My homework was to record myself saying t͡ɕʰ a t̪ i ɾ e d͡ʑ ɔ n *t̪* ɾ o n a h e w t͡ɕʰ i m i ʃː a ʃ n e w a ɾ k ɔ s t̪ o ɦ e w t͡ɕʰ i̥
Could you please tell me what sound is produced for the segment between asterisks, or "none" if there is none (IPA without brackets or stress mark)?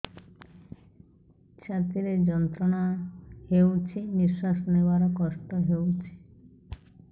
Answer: t̪